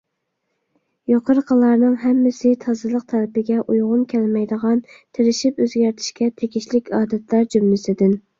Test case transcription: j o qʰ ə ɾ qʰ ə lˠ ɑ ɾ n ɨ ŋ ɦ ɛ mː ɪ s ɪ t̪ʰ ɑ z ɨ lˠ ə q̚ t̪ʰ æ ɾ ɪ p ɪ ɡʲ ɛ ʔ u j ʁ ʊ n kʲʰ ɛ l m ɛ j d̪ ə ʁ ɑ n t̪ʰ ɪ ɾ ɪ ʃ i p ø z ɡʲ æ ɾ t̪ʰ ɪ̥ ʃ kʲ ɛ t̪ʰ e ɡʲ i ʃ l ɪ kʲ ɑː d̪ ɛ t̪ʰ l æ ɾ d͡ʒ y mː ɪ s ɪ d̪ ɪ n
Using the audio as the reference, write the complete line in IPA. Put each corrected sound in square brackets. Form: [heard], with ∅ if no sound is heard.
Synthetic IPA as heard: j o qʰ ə ɾ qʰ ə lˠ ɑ ɾ n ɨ ŋ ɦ ɛ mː ɪ s ɪ t̪ʰ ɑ z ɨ lˠ ə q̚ t̪ʰ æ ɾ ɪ p ɪ ɡʲ ɛ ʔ u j ʁ ʊ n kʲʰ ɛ l m ɛ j d̪ ə ʁ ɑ n t̪ʰ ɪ ɾ ɪ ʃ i p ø z ɡʲ æ ɾ t̪ʰ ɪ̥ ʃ kʲ ɛ t̪ʰ e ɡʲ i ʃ l ɪ kʲ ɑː d̪ ɛ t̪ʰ l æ ɾ d͡ʒ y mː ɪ s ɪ d̪ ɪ n